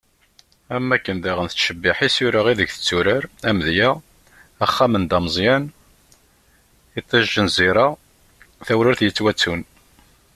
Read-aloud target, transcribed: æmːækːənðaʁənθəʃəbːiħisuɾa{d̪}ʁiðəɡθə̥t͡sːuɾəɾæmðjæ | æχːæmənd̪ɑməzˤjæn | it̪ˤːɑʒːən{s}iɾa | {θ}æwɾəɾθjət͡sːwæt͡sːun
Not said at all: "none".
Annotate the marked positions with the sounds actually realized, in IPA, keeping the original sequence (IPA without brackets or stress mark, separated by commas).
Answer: none, z, θ